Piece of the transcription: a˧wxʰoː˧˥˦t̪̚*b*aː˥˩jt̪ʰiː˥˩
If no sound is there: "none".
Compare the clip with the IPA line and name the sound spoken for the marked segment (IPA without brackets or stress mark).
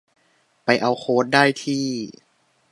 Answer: d